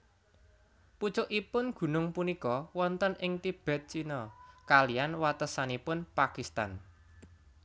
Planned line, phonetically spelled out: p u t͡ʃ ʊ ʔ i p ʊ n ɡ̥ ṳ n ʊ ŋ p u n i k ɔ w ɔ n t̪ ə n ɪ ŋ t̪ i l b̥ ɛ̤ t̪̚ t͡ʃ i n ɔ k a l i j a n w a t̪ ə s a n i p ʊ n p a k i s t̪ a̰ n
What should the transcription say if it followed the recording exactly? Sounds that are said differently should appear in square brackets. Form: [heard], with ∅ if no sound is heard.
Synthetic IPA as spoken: p u t͡ʃ ʊ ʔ i p ʊ n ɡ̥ ṳ n ʊ ŋ p u n i k ɔ w ɔ n t̪ ə n ɪ ŋ t̪ i [∅] b̥ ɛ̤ t̪̚ t͡ʃ i n ɔ k a l i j a n w a t̪ ə s a n i p ʊ n p a k i s t̪ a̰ n